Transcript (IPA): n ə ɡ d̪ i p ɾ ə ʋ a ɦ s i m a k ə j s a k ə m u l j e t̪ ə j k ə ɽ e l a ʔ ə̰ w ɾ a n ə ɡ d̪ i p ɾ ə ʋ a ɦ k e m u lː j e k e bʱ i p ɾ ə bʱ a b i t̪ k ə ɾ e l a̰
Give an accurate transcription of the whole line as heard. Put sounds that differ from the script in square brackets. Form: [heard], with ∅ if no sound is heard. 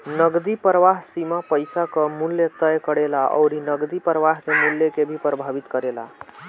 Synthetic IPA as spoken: n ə ɡ d̪ i p ɾ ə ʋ a ɦ s i m a [p] ə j s a k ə m u l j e t̪ ə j k ə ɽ e l a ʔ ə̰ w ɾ [i] n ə ɡ d̪ i p ɾ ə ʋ a ɦ k e m u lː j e k e bʱ i p ɾ ə bʱ a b i t̪ k ə ɾ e l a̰